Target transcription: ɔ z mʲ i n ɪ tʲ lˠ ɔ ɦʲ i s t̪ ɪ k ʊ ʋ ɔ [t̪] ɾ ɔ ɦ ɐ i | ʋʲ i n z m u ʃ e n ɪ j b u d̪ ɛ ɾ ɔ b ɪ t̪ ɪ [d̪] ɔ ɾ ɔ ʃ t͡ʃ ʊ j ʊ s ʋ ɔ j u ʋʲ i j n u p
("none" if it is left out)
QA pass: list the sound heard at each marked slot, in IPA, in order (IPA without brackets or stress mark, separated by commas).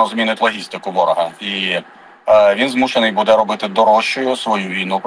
none, d̪